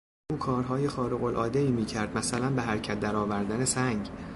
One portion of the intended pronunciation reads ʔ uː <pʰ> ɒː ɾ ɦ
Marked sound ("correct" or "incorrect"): incorrect